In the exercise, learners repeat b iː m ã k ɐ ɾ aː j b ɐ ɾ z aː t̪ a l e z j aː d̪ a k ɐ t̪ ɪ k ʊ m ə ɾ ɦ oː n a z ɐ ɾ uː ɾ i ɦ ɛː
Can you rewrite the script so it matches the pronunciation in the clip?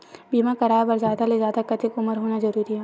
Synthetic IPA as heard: b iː m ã k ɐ ɾ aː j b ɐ ɾ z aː d̪ a l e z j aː d̪ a k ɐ t̪ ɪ k ʊ m ə ɾ ɦ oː n a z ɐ ɾ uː ɾ i ɦ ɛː